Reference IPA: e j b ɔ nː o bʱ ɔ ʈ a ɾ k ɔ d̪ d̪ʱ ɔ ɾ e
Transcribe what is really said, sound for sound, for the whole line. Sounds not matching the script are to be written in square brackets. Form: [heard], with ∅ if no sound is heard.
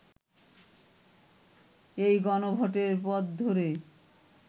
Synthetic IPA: e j [ɡ] ɔ [n] o bʱ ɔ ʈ [e] ɾ [p] ɔ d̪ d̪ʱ [o] ɾ e